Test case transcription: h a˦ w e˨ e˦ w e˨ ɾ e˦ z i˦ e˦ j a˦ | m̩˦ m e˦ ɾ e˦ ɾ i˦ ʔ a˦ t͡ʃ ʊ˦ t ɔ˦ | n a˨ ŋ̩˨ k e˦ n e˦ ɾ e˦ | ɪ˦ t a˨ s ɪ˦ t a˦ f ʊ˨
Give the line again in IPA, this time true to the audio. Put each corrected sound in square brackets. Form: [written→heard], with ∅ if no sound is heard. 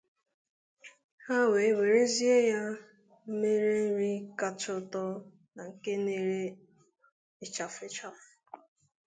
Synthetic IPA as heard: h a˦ w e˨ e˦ w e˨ ɾ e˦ z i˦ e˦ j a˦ | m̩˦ m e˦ ɾ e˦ ɾ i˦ [ʔ→k] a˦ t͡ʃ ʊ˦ t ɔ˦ | n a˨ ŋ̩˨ k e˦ n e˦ ɾ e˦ | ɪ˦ [t→t͡ʃ] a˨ [s→f] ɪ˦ [t→t͡ʃ] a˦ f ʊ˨